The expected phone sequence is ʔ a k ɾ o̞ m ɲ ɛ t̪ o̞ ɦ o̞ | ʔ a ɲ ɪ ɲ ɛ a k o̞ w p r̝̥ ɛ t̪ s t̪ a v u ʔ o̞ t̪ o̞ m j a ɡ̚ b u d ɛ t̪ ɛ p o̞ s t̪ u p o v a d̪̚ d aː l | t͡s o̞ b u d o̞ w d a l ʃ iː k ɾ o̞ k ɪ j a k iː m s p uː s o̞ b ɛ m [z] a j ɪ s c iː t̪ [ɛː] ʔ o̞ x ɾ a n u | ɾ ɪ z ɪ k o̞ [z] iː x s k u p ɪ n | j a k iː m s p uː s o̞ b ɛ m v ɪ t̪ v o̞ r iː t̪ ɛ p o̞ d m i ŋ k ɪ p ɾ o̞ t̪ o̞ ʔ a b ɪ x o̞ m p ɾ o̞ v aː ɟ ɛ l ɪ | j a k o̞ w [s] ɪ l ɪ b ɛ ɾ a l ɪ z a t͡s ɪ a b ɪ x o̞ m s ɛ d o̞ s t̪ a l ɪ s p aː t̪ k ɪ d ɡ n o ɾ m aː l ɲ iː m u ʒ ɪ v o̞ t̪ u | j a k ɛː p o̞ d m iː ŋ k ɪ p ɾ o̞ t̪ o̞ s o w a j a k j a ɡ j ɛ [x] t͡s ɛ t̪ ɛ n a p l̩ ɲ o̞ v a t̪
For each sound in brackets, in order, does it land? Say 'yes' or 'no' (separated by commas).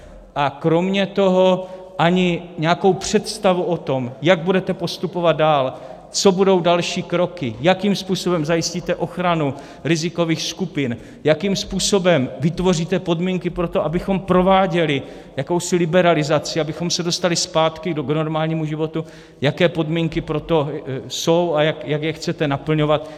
yes, no, no, yes, yes